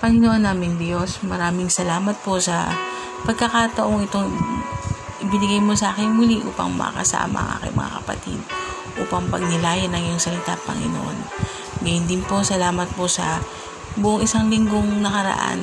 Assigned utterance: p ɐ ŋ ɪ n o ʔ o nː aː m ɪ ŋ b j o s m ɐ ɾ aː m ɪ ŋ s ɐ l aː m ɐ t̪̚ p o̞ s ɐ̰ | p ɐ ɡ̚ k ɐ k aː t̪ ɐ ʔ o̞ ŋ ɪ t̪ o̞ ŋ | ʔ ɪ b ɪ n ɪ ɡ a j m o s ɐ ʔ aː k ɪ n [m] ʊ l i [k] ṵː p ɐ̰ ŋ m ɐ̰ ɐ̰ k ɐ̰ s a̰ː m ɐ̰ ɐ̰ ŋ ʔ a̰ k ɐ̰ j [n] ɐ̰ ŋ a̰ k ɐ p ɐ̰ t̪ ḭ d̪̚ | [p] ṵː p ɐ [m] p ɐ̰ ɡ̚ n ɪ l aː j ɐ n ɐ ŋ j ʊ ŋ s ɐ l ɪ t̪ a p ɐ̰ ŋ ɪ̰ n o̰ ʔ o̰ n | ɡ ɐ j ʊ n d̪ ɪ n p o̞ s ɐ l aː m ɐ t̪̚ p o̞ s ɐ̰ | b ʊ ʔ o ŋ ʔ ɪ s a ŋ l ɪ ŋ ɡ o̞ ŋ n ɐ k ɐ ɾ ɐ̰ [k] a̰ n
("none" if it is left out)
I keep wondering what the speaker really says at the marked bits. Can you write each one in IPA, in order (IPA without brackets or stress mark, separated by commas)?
m, ʔ, m, ʔ, ŋ, ʔ